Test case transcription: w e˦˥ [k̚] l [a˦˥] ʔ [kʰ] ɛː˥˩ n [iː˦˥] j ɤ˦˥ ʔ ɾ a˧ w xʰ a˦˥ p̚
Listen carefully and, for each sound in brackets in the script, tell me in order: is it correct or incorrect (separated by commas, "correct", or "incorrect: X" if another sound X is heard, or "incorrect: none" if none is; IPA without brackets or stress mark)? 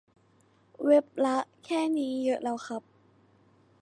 incorrect: p̚, correct, correct, correct